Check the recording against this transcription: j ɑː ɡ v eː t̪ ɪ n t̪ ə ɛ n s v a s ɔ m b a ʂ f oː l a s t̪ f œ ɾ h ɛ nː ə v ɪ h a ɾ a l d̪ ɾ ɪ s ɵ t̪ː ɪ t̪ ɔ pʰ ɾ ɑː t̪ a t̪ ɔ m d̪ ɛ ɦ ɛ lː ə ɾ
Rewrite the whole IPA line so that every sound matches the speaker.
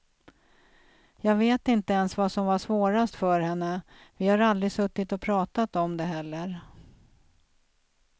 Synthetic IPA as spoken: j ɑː ɡ v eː t̪ ɪ n t̪ ə ɛ n s v a s ɔ m v a ʂ v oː ɾ a s t̪ f œ ɾ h ɛ nː ə v ɪ h a ɾ a l d̪ ɾ ɪ s ɵ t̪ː ɪ t̪ ɔ pʰ ɾ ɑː t̪ a t̪ ɔ m d̪ ɛ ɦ ɛ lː ə ɾ